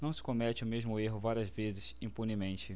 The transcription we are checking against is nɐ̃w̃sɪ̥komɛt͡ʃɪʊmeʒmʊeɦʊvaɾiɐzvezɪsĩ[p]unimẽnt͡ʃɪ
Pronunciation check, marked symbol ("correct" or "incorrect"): correct